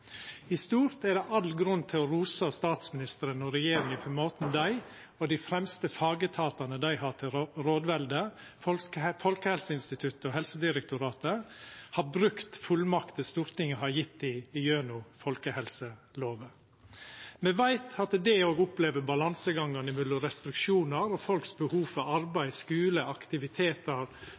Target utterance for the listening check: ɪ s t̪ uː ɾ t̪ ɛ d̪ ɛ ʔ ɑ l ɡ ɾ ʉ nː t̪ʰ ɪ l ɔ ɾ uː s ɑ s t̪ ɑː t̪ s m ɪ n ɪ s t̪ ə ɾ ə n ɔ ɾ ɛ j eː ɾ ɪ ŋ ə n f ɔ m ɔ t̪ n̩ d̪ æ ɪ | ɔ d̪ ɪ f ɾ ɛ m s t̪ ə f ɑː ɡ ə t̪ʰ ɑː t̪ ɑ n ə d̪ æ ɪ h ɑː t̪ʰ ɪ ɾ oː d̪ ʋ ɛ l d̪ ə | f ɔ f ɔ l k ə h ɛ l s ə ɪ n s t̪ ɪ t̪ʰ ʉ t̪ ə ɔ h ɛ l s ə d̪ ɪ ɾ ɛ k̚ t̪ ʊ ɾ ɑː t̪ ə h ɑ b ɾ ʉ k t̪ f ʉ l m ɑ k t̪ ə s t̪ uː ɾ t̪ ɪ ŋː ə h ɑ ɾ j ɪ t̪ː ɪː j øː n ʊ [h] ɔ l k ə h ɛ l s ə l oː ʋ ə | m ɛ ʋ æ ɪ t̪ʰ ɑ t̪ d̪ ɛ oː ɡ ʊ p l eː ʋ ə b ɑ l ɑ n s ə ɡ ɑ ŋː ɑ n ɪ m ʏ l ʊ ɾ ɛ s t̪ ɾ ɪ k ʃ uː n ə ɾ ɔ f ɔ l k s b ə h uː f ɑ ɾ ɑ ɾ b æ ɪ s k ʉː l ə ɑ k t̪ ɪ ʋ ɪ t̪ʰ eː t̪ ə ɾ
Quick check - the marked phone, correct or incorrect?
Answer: incorrect